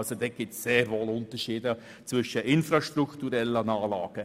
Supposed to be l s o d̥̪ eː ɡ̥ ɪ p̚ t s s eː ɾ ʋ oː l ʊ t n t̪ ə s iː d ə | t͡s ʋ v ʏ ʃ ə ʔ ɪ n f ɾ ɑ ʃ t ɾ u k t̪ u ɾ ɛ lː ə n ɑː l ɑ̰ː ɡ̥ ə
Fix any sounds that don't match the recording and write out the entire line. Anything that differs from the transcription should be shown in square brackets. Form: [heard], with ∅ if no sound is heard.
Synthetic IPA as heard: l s o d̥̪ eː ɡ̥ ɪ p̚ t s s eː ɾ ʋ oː l ʊ [∅] n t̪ ə [ʃ] iː d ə | t͡s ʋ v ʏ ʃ ə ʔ ɪ n f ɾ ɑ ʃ t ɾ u k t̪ u ɾ ɛ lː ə n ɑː l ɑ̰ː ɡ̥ ə